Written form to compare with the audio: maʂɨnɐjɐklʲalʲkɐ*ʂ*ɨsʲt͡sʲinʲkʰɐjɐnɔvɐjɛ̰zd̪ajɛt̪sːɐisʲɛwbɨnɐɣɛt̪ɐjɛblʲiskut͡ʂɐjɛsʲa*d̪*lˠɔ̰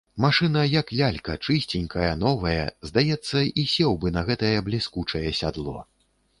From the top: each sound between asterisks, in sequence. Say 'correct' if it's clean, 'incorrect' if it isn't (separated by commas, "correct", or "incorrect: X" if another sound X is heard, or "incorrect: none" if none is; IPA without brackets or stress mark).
incorrect: t͡ʂ, correct